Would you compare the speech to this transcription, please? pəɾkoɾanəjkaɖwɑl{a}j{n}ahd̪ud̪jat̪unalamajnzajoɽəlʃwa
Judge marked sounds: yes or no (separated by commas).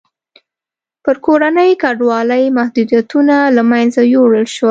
no, no